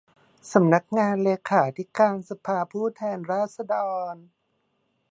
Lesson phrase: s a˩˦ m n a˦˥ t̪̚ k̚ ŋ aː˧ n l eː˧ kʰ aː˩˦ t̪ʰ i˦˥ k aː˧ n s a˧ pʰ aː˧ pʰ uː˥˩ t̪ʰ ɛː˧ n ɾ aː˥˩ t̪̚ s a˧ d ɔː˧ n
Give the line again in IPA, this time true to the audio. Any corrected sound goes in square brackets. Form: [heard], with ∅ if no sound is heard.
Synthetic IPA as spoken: s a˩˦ m n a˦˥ [∅] k̚ ŋ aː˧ n l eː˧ kʰ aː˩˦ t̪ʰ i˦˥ k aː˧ n s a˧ pʰ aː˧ pʰ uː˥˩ t̪ʰ ɛː˧ n ɾ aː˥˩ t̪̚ s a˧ d ɔː˧ n